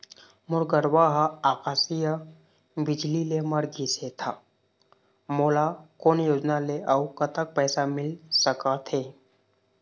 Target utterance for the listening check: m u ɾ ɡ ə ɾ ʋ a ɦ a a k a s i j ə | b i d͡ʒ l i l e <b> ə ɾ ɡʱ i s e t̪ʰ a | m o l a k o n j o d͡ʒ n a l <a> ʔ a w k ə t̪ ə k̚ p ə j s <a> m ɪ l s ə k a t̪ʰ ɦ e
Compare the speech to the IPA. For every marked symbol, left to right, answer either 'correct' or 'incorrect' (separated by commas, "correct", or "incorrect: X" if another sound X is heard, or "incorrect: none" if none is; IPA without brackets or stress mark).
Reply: incorrect: m, incorrect: e, correct